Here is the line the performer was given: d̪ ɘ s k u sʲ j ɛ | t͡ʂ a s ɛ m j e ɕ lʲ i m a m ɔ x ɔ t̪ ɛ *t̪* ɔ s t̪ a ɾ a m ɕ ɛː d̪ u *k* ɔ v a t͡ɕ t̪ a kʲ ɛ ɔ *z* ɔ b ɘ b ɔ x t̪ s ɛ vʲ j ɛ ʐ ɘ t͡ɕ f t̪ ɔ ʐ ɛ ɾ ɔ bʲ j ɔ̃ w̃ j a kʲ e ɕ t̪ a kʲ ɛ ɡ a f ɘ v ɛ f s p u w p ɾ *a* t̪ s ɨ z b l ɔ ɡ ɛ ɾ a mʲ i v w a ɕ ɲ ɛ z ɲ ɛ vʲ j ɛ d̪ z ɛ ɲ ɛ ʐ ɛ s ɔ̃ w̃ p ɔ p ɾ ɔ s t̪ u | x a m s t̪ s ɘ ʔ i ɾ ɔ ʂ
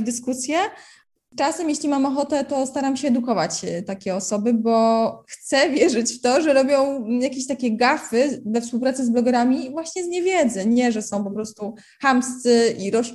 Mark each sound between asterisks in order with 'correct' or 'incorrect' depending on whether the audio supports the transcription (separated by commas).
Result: correct, correct, incorrect, correct